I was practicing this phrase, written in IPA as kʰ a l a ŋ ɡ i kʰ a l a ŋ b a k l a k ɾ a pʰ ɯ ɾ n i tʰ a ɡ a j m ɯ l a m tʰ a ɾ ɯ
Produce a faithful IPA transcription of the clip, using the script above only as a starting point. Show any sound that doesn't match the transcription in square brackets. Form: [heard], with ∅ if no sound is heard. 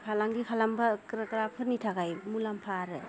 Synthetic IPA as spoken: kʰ a l a ŋ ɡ i kʰ a l a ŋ b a k [ɾ] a k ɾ a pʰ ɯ ɾ n i tʰ a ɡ a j m [u] l a m [pʰ] a ɾ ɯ